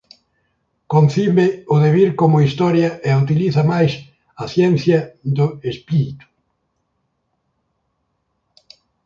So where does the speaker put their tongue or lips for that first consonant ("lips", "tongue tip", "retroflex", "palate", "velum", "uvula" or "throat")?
velum